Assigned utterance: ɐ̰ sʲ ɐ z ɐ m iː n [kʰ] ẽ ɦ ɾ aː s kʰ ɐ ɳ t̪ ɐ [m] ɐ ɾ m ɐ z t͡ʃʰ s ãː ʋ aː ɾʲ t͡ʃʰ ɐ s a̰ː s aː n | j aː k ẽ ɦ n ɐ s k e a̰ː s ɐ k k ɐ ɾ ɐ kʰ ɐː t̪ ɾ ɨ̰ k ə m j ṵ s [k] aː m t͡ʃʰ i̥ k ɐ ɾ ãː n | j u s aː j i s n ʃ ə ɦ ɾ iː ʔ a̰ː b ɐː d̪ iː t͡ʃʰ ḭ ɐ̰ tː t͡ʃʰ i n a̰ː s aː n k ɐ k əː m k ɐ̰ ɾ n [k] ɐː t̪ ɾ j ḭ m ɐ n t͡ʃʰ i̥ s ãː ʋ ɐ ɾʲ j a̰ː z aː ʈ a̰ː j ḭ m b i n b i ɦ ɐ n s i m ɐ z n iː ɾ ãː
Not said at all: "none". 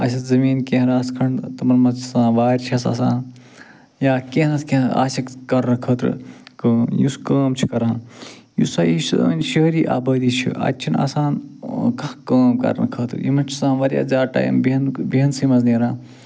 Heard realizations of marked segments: k, m, k, kʰ

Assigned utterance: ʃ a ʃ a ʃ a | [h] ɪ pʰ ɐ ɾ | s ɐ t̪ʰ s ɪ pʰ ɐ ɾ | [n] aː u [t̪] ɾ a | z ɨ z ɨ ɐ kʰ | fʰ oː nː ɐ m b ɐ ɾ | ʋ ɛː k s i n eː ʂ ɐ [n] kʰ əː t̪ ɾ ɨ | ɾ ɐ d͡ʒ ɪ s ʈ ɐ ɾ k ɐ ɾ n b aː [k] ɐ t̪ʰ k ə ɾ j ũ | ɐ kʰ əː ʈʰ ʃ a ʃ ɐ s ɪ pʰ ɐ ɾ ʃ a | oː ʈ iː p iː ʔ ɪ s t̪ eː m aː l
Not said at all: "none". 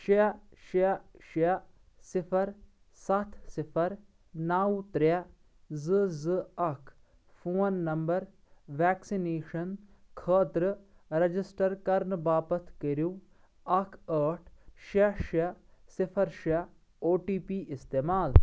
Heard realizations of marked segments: s, n, t̪, n, p

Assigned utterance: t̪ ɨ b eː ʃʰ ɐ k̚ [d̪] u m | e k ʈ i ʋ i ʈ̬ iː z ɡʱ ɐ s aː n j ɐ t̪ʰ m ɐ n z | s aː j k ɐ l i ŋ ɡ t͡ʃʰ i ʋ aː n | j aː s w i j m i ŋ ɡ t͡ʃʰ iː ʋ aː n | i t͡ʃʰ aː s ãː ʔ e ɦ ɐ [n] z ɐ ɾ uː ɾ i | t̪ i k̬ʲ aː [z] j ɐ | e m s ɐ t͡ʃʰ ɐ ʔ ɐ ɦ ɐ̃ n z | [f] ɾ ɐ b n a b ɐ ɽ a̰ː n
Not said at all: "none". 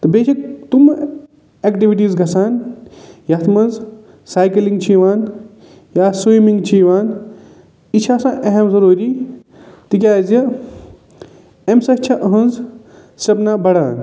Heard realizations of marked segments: t̪, m, z, s

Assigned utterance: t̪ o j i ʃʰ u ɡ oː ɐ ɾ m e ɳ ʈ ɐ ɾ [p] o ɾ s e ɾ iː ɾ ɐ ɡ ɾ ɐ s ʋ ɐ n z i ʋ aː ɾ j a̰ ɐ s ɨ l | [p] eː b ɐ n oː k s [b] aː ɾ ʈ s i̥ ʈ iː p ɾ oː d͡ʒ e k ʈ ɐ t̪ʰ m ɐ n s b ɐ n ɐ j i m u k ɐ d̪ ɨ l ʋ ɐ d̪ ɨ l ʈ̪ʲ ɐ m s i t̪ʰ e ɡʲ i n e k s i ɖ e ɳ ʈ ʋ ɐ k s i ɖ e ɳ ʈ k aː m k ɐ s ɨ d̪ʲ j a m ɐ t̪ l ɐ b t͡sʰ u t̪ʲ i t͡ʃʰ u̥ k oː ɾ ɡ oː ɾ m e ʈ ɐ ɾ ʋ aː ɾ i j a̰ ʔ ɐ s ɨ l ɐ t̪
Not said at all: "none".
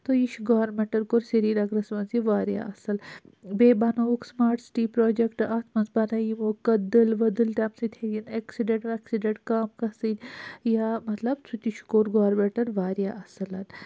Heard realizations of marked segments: k, b, m

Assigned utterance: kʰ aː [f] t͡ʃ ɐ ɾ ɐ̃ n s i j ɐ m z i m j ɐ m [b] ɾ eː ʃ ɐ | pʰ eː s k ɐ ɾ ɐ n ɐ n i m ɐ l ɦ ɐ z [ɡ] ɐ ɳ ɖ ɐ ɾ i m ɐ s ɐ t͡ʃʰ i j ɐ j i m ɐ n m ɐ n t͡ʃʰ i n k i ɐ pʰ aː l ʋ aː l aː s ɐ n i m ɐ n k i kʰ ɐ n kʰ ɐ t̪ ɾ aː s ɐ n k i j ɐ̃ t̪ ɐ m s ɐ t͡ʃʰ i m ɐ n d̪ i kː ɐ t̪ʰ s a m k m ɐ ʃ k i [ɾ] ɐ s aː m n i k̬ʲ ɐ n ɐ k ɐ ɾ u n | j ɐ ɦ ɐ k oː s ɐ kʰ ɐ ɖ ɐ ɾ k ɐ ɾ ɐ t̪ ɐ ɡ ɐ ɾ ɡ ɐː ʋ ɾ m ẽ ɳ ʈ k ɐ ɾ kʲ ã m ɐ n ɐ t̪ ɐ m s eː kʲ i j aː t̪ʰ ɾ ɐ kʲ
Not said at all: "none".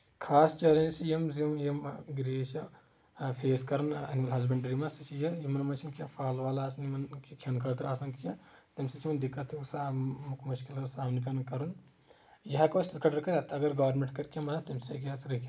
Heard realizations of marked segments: s, ɡ, b, l

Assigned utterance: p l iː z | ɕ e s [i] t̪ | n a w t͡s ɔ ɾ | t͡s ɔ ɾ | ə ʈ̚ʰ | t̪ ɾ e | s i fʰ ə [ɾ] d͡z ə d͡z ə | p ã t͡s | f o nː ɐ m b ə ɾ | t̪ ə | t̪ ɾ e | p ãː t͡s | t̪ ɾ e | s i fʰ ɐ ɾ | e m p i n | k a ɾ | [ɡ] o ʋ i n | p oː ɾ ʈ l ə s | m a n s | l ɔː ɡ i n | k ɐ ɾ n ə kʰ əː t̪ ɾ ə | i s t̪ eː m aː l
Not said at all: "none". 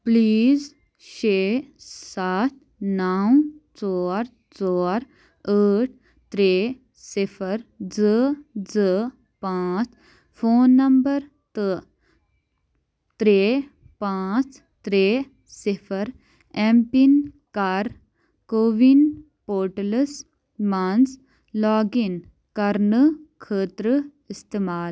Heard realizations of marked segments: a, ɾ, k

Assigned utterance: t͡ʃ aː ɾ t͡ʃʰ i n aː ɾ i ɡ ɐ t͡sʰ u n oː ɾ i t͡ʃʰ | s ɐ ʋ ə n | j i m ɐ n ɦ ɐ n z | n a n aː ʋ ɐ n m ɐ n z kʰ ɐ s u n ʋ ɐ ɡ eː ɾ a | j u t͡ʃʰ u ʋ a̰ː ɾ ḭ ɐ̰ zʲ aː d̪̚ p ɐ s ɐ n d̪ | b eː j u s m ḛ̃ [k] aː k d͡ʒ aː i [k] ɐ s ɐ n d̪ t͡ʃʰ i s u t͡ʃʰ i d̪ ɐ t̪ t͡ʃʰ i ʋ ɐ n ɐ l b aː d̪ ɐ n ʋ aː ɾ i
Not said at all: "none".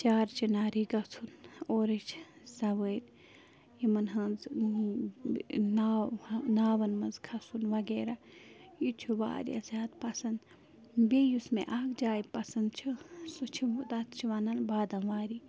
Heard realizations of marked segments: ʔ, p

